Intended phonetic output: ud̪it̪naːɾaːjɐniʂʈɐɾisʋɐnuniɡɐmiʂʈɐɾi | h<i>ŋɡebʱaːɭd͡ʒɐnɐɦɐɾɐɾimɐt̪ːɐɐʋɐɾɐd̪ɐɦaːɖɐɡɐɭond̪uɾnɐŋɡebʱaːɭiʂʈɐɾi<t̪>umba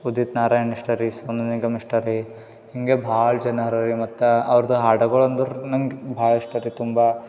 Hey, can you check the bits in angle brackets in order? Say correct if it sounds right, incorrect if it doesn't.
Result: correct, correct

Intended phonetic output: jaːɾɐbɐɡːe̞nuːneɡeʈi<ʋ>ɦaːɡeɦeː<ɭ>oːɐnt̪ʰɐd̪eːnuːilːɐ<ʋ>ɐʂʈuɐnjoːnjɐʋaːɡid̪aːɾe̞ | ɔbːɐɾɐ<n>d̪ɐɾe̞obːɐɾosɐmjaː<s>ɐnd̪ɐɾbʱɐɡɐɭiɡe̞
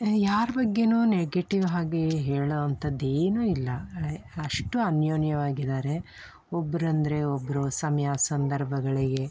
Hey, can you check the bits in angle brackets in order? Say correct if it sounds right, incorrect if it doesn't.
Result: correct, correct, incorrect: none, correct, correct

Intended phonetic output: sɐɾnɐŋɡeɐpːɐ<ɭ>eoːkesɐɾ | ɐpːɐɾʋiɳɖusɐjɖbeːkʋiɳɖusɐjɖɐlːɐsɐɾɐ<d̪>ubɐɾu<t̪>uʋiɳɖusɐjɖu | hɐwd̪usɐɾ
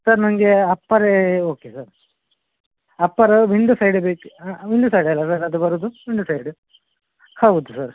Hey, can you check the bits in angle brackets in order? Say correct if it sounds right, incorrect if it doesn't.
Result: incorrect: ɾ, correct, incorrect: d̪

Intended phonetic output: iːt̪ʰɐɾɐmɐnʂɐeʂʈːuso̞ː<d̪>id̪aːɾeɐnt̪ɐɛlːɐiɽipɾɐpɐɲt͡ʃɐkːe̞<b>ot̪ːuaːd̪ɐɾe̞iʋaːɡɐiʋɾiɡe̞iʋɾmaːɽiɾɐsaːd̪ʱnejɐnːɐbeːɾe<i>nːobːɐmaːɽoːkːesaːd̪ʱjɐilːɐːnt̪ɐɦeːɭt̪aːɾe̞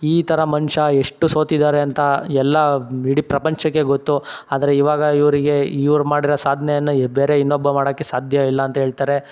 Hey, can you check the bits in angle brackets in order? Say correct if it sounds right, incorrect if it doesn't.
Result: incorrect: t̪, incorrect: ɡ, correct

